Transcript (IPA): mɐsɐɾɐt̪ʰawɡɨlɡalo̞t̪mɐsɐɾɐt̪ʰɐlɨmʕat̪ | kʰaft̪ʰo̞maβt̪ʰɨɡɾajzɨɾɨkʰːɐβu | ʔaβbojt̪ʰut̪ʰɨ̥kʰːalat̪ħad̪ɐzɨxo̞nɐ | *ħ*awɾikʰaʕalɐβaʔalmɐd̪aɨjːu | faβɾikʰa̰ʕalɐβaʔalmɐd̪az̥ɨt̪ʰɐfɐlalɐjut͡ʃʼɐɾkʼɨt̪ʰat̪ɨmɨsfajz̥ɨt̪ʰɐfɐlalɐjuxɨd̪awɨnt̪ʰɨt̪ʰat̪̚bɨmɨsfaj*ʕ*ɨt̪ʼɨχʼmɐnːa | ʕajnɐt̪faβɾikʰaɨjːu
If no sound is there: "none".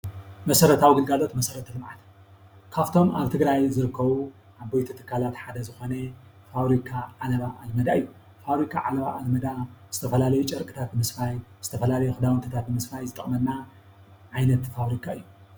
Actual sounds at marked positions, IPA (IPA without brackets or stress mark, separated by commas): f, z